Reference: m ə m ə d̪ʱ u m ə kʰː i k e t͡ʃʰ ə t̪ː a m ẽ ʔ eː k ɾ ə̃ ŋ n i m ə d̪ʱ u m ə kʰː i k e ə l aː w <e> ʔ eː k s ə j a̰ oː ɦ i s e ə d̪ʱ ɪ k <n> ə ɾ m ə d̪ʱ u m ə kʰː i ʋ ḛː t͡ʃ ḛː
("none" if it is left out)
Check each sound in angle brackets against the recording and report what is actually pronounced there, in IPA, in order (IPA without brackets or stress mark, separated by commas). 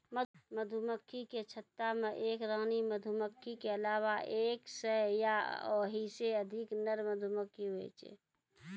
a, n